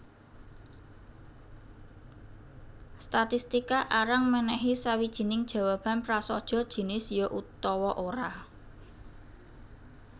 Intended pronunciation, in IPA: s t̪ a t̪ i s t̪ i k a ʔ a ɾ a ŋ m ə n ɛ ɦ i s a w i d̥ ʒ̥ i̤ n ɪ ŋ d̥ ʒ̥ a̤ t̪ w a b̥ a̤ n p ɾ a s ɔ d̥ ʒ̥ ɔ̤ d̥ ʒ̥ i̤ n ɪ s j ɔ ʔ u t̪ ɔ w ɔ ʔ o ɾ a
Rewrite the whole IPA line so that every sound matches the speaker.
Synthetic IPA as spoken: s t̪ a t̪ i s t̪ i k a ʔ a ɾ a ŋ m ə n ɛ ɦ i s a w i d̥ ʒ̥ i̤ n ɪ ŋ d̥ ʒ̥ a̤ w a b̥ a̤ n p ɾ a s ɔ d̥ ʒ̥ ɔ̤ d̥ ʒ̥ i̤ n ɪ s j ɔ ʔ u t̪ ɔ w ɔ ʔ o ɾ a